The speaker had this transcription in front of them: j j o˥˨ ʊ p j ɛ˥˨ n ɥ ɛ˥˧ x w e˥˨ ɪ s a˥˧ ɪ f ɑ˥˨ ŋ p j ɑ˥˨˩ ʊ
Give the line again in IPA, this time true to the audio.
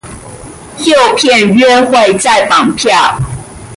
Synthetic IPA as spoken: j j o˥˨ ʊ pʰ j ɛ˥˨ n ɥ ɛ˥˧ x w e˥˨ ɪ t͡s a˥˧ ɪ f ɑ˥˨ ŋ pʰ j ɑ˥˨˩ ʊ